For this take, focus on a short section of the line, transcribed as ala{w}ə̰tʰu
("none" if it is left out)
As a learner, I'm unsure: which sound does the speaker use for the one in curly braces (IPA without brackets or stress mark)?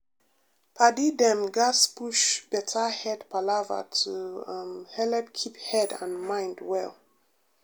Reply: v